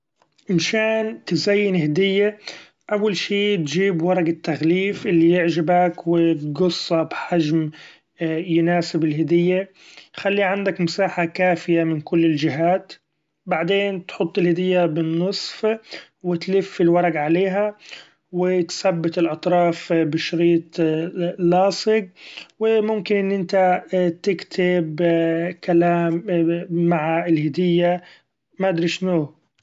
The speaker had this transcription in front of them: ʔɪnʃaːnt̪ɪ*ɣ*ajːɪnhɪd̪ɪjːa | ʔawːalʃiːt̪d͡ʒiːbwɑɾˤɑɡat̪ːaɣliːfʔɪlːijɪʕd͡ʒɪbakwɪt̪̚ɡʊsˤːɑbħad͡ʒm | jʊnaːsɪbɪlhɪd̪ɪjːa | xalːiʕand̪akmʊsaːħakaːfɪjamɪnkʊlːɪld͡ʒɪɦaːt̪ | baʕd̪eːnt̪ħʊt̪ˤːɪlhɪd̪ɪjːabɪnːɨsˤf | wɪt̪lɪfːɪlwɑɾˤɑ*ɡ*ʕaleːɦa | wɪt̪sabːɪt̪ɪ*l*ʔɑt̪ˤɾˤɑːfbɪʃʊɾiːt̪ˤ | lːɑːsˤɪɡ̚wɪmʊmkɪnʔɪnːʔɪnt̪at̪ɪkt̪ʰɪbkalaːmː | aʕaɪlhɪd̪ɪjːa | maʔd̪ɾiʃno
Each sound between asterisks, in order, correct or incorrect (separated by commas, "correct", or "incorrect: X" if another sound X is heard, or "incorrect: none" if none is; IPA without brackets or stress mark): incorrect: z, correct, correct